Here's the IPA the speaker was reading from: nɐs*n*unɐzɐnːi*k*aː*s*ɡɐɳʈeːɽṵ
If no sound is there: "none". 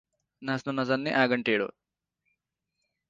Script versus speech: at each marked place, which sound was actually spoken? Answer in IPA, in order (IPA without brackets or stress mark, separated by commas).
n, ʔ, none